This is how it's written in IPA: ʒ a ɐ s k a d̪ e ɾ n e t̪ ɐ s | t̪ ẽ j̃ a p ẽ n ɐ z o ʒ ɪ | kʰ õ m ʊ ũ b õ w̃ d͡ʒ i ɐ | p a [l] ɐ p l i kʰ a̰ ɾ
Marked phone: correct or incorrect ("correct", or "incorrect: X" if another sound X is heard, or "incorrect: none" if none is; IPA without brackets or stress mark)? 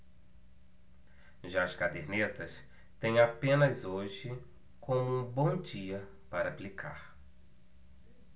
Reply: incorrect: ɾ